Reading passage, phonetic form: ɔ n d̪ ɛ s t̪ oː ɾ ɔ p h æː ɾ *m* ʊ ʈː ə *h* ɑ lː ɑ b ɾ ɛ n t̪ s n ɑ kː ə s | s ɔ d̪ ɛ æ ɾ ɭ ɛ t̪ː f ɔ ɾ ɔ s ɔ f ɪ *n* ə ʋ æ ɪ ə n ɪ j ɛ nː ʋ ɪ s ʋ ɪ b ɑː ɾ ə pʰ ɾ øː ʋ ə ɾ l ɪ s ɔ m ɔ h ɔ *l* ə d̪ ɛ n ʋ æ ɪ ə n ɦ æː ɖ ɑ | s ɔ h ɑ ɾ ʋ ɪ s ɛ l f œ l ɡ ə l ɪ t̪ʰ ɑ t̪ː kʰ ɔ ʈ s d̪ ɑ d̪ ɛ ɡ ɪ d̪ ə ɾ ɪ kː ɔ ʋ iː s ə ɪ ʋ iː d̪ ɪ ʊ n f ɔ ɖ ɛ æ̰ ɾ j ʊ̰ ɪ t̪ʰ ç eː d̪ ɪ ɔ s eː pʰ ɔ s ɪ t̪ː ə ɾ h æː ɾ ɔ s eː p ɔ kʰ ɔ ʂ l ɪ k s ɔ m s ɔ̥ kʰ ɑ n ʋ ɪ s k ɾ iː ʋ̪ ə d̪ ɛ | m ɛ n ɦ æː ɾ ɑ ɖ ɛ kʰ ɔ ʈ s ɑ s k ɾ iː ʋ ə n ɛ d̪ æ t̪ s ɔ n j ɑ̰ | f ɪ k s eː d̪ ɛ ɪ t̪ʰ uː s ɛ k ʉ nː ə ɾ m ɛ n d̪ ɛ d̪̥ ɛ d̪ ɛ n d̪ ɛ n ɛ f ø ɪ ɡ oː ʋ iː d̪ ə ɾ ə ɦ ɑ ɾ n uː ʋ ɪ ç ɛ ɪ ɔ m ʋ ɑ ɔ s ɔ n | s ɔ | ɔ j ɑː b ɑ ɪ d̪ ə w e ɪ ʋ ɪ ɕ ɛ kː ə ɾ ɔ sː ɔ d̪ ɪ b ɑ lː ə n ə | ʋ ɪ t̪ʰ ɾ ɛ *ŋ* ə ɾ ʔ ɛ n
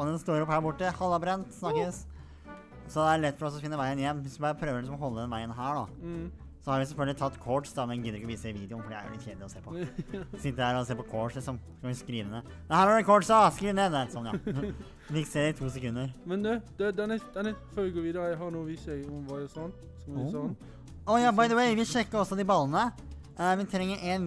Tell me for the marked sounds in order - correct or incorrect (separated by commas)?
incorrect, correct, incorrect, incorrect, incorrect